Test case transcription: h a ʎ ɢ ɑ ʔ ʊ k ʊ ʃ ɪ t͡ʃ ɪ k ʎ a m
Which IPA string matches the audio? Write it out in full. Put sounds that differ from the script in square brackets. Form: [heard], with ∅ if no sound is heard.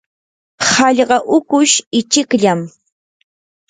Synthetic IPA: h [ɑ] ʎ ɢ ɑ ʔ ʊ k ʊ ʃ ɪ t͡ʃ ɪ k ʎ a m